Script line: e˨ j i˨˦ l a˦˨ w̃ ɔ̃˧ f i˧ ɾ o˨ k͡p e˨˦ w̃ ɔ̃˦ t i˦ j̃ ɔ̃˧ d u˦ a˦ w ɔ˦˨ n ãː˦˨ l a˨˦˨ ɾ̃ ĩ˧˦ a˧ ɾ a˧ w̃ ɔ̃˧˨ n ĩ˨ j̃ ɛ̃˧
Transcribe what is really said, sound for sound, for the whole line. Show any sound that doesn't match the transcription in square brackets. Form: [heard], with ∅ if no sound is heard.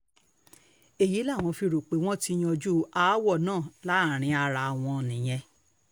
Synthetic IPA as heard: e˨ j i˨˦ l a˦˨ w̃ ɔ̃˧ f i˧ ɾ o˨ k͡p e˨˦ w̃ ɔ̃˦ t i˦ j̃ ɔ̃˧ [d͡ʒ] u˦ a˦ w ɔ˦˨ n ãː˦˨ l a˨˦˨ ɾ̃ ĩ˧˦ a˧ ɾ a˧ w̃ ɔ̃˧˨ n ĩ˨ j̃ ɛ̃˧